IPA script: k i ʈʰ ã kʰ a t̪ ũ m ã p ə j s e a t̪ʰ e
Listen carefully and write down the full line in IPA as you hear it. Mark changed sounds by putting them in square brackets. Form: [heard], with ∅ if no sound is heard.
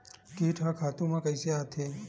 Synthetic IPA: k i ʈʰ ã kʰ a t̪ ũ m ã [k] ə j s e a t̪ʰ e